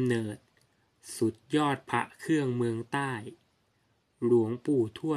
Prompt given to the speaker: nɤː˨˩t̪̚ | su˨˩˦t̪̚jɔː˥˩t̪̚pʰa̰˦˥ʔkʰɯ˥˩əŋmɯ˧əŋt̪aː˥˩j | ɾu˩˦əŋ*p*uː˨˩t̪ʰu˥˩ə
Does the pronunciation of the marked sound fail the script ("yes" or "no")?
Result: no